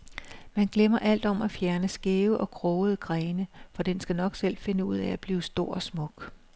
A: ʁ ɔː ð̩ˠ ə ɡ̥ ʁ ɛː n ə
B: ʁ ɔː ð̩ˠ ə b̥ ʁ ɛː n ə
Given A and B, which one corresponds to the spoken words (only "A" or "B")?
A